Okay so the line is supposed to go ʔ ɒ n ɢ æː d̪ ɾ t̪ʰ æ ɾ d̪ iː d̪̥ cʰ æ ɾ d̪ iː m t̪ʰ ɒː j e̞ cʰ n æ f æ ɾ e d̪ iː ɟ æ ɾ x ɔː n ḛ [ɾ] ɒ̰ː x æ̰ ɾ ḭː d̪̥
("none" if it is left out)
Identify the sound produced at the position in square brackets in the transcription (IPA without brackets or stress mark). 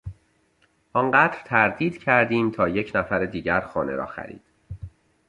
ɾ